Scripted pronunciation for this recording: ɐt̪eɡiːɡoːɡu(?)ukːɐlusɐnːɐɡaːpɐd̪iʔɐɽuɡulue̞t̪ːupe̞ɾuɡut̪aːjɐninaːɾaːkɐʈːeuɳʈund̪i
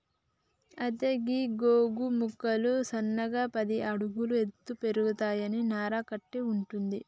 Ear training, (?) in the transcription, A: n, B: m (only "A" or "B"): B